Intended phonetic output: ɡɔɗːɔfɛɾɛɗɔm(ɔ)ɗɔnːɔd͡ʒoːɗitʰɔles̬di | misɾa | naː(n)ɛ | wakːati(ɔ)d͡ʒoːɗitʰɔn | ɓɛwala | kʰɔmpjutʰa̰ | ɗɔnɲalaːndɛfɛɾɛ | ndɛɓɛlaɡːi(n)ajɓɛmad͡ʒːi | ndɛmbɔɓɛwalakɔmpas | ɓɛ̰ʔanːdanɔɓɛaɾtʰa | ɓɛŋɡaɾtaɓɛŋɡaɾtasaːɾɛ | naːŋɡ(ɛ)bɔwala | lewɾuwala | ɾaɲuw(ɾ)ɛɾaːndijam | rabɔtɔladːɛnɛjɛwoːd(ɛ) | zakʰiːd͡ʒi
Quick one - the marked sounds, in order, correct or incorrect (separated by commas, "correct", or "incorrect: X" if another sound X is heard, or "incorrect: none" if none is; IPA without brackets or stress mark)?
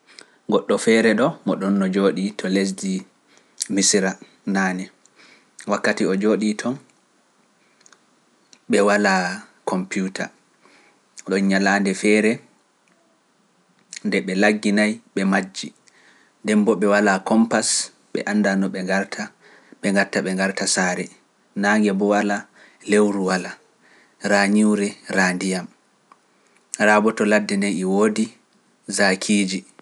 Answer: correct, correct, correct, correct, correct, correct, incorrect: i